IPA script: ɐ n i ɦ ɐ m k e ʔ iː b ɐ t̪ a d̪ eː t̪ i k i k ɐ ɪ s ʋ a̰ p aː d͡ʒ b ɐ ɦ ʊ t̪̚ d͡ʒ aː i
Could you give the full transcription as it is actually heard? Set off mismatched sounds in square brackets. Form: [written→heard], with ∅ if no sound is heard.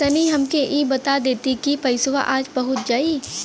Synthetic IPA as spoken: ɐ n i ɦ ɐ m k e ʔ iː b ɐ t̪ a d̪ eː t̪ i k i [k→p] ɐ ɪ s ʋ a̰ [p→ʔ] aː d͡ʒ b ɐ ɦ ʊ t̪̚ d͡ʒ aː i